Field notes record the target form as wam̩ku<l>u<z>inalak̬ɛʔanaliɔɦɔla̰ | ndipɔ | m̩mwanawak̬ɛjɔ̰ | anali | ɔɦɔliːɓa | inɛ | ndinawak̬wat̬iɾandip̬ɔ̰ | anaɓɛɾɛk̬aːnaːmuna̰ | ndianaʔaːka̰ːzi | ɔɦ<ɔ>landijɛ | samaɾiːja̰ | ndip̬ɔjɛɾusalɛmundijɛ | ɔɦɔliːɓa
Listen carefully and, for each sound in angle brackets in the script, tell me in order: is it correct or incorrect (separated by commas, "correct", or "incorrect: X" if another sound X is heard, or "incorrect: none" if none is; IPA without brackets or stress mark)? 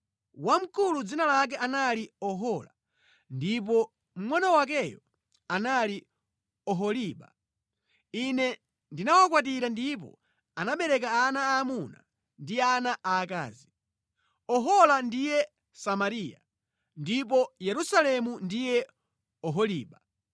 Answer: correct, incorrect: d͡z, correct